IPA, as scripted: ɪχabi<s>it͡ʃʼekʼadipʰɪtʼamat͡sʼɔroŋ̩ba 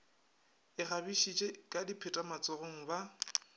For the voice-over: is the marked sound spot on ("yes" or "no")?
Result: no